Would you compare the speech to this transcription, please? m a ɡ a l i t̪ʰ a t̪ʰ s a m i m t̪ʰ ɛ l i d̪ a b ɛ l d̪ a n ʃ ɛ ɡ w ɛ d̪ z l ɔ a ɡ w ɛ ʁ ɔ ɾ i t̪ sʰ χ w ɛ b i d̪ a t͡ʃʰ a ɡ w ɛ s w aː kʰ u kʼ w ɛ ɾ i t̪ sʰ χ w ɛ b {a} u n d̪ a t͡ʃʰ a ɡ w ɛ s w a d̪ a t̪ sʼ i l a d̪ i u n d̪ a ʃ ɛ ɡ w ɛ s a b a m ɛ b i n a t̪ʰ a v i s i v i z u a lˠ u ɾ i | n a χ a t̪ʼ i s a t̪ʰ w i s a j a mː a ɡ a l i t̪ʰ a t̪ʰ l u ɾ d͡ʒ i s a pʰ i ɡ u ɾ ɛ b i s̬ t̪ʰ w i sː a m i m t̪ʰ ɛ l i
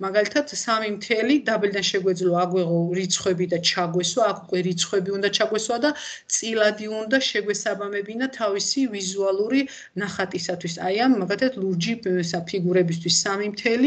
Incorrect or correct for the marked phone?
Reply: incorrect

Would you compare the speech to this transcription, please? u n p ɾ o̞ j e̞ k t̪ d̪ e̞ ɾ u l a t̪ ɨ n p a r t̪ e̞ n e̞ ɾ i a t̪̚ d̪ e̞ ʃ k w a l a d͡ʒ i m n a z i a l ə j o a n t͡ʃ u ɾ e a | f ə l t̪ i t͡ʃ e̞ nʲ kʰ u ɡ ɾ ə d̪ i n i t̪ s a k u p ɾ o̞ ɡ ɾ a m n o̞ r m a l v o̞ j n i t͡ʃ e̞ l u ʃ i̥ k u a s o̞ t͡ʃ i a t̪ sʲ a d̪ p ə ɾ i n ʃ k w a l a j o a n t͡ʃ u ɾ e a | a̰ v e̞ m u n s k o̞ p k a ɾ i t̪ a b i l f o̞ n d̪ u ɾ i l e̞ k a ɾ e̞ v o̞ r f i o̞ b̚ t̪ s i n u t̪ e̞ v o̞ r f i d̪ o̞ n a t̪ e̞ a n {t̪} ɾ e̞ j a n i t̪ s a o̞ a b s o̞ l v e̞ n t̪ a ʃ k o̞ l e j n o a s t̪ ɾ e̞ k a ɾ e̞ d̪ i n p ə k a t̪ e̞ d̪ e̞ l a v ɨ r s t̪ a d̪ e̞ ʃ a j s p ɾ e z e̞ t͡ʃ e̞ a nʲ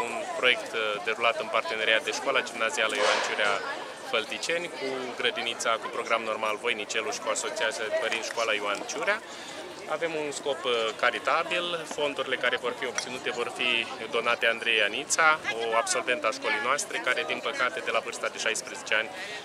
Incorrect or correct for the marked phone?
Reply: incorrect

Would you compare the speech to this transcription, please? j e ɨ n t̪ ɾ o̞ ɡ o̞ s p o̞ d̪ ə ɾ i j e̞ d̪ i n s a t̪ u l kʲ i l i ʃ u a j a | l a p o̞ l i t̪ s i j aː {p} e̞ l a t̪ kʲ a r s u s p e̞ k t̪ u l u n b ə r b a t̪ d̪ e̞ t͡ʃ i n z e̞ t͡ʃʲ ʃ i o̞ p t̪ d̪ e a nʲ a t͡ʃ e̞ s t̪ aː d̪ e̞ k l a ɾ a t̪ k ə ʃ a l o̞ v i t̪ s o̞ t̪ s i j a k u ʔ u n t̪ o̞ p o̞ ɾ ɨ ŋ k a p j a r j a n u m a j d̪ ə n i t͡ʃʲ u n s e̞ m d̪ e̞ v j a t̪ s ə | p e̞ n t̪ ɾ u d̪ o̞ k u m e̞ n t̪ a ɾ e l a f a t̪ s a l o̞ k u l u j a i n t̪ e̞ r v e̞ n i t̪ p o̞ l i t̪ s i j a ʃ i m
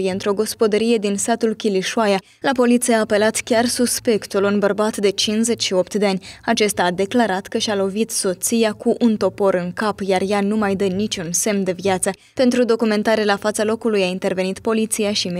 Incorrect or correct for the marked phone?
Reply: correct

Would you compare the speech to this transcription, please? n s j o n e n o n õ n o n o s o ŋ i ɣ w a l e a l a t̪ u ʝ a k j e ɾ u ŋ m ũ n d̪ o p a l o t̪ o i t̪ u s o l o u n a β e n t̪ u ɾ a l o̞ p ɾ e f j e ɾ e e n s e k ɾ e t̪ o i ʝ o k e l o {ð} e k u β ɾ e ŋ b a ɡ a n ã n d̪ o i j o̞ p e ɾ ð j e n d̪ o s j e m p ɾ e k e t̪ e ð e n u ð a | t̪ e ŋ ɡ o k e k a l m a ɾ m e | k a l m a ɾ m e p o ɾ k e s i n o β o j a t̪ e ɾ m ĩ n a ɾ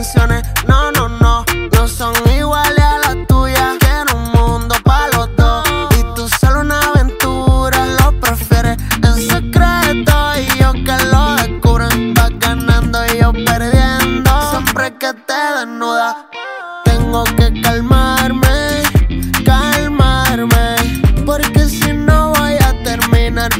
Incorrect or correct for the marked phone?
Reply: correct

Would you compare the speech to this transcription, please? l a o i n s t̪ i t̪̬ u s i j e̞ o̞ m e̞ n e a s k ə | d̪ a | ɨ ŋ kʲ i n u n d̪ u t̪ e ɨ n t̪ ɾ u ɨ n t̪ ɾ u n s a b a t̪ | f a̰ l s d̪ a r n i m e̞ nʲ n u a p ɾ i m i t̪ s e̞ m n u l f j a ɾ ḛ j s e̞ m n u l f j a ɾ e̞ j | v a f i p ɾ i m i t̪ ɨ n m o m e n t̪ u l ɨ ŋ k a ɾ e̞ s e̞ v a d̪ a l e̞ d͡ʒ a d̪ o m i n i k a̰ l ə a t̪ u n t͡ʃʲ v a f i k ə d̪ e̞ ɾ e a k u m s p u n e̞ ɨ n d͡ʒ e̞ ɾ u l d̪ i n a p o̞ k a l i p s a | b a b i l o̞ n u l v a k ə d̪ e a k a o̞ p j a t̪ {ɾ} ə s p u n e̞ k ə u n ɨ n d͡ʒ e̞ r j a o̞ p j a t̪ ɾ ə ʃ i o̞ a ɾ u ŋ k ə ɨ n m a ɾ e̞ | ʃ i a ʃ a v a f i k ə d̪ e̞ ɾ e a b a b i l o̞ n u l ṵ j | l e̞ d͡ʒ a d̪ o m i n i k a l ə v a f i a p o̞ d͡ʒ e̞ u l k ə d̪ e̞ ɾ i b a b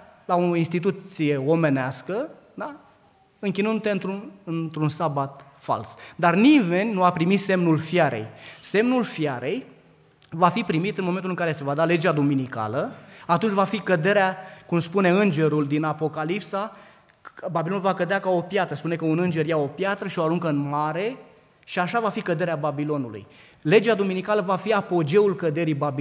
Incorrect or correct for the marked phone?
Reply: correct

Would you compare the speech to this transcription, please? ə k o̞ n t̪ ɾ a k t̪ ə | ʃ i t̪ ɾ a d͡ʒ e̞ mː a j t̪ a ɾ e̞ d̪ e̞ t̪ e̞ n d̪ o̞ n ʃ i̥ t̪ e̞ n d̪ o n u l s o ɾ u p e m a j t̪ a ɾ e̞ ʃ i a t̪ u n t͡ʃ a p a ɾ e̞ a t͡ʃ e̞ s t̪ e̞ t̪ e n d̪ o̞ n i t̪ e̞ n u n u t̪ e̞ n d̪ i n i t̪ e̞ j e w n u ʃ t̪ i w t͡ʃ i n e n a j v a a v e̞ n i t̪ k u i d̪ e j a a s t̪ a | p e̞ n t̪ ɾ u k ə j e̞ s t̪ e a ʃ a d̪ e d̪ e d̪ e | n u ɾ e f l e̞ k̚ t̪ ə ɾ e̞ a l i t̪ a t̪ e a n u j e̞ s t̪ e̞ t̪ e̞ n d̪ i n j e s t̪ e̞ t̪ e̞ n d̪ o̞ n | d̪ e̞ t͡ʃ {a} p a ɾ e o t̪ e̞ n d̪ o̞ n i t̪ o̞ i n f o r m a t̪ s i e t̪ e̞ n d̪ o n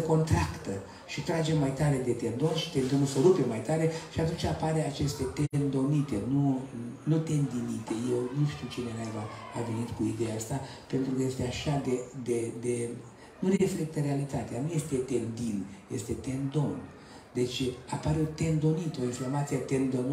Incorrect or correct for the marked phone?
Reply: correct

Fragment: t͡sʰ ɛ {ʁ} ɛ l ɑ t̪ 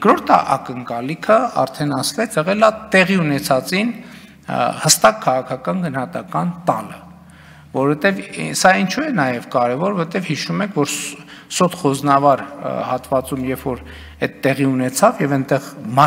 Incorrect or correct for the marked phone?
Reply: correct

